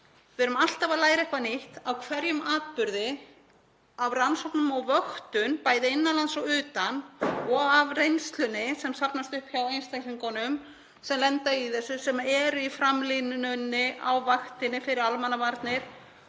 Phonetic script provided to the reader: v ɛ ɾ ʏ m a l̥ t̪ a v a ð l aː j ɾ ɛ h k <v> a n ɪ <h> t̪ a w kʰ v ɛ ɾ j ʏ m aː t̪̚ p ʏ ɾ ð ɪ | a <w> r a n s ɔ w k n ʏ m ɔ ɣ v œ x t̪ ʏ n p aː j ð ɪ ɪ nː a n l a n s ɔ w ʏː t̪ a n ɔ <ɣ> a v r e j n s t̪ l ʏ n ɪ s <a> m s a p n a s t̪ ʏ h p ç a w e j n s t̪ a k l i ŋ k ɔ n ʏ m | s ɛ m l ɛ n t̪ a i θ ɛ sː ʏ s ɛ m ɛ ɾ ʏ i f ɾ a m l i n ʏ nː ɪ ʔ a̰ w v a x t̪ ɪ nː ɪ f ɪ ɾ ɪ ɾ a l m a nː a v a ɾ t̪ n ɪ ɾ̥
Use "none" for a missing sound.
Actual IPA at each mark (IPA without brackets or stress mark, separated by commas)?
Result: v, h, v, ɣ, ɛ